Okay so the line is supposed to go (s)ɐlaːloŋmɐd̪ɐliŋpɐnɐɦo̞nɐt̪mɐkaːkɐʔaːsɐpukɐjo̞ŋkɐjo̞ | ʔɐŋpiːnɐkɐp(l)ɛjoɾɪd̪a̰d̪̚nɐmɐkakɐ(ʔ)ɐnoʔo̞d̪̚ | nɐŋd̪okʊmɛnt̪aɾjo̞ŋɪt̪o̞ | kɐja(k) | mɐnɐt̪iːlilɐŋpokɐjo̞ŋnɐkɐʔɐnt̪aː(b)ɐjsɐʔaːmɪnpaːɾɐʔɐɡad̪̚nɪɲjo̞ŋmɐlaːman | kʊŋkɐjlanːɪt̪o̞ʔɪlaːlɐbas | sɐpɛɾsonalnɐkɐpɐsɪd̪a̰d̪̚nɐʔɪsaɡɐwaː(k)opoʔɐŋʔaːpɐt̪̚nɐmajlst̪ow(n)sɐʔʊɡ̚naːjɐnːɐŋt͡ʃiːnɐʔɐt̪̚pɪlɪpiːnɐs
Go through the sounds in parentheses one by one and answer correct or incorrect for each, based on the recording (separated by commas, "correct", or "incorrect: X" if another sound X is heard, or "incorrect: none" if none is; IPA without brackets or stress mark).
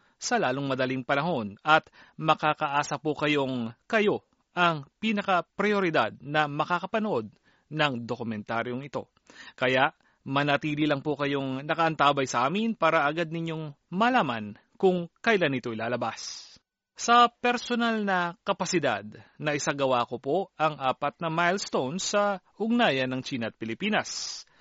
correct, incorrect: ɾ, incorrect: p, incorrect: ʔ, correct, correct, correct